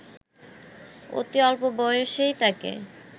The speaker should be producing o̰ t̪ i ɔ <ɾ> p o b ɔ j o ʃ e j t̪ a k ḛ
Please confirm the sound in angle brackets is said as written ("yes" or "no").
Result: no